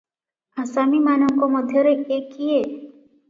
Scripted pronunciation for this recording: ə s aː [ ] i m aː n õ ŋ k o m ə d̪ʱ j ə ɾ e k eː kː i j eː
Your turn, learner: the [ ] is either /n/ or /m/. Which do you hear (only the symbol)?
m